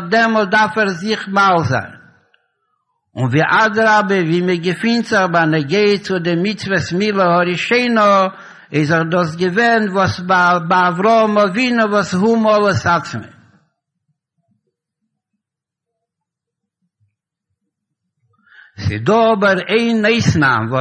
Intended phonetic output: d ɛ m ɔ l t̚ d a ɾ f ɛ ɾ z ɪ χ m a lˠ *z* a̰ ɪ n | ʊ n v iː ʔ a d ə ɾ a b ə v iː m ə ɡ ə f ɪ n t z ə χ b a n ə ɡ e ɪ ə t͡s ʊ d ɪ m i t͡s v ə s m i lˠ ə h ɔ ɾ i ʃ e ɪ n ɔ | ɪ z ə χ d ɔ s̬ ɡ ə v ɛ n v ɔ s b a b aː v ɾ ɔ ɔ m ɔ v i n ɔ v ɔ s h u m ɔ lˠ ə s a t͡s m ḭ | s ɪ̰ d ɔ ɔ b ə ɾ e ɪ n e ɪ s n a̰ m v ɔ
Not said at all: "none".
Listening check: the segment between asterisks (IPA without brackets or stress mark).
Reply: z